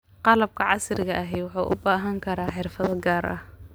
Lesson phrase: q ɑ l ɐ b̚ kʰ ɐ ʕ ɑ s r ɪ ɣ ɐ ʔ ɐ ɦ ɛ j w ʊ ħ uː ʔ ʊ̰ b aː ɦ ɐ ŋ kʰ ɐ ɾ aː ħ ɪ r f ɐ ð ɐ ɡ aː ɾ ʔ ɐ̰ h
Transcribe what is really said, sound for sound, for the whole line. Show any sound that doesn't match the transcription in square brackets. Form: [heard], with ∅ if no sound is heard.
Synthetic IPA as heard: q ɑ l ɐ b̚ kʰ ɐ ʕ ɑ s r ɪ ɣ ɐ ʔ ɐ ɦ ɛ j w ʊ ħ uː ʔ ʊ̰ b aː ɦ ɐ ŋ kʰ ɐ ɾ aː ħ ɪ r f ɐ ð ɐ ɡ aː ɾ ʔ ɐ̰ h